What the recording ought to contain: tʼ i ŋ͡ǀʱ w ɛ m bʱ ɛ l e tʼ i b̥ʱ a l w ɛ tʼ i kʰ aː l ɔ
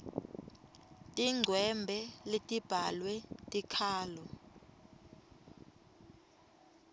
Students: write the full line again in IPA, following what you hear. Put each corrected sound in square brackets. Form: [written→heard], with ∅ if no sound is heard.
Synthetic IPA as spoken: tʼ i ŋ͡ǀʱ w ɛ m bʱ ɛ l e tʼ i b̥ʱ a l w ɛ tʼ i kʰ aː l ɔ